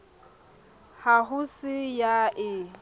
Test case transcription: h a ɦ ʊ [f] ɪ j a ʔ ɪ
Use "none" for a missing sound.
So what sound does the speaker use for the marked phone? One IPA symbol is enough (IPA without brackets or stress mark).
s